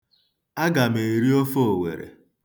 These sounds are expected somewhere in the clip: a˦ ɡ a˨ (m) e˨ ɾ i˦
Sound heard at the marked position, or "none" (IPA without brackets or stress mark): m